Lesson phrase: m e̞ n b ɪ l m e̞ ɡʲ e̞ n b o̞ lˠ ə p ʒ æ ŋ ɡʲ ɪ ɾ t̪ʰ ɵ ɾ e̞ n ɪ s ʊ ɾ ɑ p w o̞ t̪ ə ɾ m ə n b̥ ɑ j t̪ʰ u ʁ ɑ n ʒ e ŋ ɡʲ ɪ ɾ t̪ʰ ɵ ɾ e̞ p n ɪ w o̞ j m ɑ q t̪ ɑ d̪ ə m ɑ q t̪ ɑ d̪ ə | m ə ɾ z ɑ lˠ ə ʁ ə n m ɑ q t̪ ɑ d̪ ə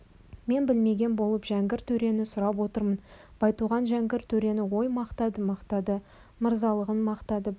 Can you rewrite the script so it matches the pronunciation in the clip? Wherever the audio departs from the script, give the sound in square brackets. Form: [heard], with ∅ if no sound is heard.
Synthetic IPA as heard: m e̞ n b ɪ l m e̞ ɡʲ e̞ n b o̞ lˠ ə p ʒ æ ŋ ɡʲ ɪ ɾ t̪ʰ ɵ ɾ e̞ n ɪ s ʊ ɾ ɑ p w o̞ t̪ ə ɾ m ə n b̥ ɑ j [t̪] u ʁ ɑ n ʒ [æ] ŋ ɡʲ ɪ ɾ t̪ʰ ɵ ɾ e̞ [∅] n ɪ w o̞ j m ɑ q t̪ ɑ d̪ ə m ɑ q t̪ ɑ d̪ ə | m ə ɾ z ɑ lˠ ə ʁ ə n m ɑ q t̪ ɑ d̪ ə

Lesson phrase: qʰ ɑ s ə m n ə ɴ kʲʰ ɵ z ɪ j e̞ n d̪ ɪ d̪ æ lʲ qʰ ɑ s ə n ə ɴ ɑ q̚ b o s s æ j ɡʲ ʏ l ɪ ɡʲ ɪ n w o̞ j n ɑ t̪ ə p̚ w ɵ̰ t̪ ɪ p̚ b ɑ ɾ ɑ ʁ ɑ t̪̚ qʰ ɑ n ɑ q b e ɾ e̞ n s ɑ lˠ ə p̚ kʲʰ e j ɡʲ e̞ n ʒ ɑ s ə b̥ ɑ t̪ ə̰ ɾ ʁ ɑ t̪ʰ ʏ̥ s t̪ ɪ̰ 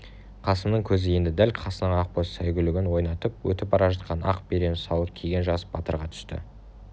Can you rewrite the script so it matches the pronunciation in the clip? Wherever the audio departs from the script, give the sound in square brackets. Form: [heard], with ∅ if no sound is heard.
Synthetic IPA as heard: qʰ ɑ s ə m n ə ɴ kʲʰ ɵ z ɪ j e̞ n d̪ ɪ d̪ æ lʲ qʰ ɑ s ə n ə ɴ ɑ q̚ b o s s æ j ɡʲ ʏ l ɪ ɡʲ ɪ n w o̞ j n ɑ t̪ ə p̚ w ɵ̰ t̪ ɪ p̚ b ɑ ɾ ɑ [ʒ] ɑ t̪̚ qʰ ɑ n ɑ q b e ɾ e̞ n s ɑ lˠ ə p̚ kʲʰ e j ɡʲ e̞ n ʒ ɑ s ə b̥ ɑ t̪ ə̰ ɾ ʁ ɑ t̪ʰ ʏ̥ s t̪ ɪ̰

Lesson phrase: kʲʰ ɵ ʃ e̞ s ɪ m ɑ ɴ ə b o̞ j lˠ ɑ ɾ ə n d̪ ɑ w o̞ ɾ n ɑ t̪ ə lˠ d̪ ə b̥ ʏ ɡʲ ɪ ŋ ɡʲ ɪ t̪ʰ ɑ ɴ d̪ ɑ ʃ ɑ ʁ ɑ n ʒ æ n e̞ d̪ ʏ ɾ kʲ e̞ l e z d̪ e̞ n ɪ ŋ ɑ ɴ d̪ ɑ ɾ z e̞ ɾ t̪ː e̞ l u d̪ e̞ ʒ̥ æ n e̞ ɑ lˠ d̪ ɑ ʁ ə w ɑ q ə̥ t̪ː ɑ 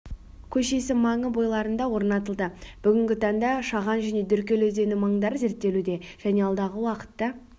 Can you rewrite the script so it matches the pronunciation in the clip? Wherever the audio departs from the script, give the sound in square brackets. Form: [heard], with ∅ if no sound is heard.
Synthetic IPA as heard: kʲʰ ɵ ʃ e̞ s ɪ m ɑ ɴ ə b o̞ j lˠ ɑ ɾ ə n d̪ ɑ w o̞ ɾ n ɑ t̪ ə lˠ d̪ ə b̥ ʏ ɡʲ ɪ ŋ ɡʲ ɪ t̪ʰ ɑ ɴ d̪ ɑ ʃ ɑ ʁ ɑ n ʒ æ n e̞ d̪ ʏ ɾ kʲ e̞ l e z d̪ e̞ n ɪ [m] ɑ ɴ d̪ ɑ ɾ z e̞ ɾ t̪ː e̞ l u d̪ e̞ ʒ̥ æ n e̞ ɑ lˠ d̪ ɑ ʁ ə w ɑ q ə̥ t̪ː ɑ

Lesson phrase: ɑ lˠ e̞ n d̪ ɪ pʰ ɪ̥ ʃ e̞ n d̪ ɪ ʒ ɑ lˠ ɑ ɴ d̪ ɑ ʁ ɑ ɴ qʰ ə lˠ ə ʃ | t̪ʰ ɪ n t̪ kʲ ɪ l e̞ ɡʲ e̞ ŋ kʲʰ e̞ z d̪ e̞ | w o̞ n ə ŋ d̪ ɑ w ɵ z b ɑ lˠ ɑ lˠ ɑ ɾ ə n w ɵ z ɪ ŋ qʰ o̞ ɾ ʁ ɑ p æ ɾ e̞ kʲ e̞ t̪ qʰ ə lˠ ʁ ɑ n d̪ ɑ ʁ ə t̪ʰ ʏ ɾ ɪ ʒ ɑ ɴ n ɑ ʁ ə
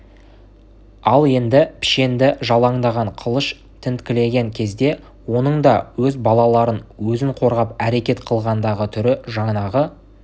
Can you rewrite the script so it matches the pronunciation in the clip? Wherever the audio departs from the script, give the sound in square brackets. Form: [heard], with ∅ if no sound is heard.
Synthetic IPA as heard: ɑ lˠ e̞ n d̪ ɪ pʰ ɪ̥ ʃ e̞ n d̪ ɪ ʒ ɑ lˠ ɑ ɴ d̪ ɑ ʁ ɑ ɴ qʰ ə lˠ ə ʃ | t̪ʰ ɪ n t̪ kʲ ɪ l e̞ ɡʲ e̞ ŋ kʲʰ e̞ z d̪ e̞ | w o̞ n ə [ɴ] d̪ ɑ w ɵ z b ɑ lˠ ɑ lˠ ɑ ɾ ə n w ɵ z ɪ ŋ qʰ o̞ ɾ ʁ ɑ p æ ɾ e̞ kʲ e̞ t̪ qʰ ə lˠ ʁ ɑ n d̪ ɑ ʁ ə t̪ʰ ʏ ɾ ɪ ʒ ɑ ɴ n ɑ ʁ ə

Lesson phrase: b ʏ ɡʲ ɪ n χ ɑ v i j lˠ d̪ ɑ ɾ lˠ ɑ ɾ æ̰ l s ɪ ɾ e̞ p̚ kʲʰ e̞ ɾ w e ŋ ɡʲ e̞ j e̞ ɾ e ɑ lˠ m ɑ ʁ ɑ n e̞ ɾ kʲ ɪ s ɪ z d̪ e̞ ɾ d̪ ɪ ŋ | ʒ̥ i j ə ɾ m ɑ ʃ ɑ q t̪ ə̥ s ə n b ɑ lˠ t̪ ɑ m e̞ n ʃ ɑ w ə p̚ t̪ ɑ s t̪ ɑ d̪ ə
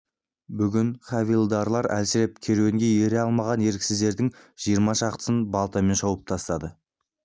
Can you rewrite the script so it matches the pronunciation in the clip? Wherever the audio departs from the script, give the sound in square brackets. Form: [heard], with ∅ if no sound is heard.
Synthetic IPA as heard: b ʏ ɡʲ ɪ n χ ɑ v i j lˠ d̪ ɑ ɾ lˠ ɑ ɾ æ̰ l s ɪ ɾ e̞ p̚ kʲʰ e̞ ɾ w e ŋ ɡʲ e̞ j e̞ ɾ e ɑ lˠ m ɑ ʁ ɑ n e̞ ɾ kʲ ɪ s ɪ z d̪ e̞ ɾ d̪ ɪ ŋ | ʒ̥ i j ə ɾ m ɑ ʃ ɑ q t̪ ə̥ s ə n b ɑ lˠ t̪ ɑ m e̞ n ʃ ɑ w ə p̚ [t̪ʰ] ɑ s t̪ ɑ d̪ ə

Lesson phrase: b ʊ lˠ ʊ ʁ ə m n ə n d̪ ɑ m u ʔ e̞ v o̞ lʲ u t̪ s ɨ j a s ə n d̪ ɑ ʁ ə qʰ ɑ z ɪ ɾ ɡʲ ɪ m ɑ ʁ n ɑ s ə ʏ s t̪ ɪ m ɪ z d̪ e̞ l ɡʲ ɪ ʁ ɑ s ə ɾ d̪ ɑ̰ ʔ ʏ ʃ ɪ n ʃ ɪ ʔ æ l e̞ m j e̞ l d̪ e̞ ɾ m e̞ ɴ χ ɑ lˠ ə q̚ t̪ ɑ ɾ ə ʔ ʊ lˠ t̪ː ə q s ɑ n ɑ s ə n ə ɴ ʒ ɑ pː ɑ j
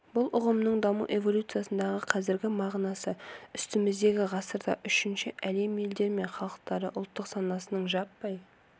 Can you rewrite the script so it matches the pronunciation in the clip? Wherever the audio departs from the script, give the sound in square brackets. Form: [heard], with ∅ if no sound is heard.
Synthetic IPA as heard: b ʊ lˠ ʊ ʁ ə m n ə [ɴ] d̪ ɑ m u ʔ e̞ v o̞ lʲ u t̪ s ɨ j a s ə n d̪ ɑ ʁ ə qʰ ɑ z ɪ ɾ ɡʲ ɪ m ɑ ʁ n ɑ s ə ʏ s t̪ ɪ m ɪ z d̪ e̞ [∅] ɡʲ ɪ ʁ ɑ s ə ɾ d̪ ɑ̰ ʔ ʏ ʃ ɪ n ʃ ɪ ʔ æ l e̞ m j e̞ l d̪ e̞ ɾ m e̞ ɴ χ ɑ lˠ ə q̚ t̪ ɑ ɾ ə ʔ ʊ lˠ t̪ː ə q s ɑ n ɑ s ə n ə ɴ ʒ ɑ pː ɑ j

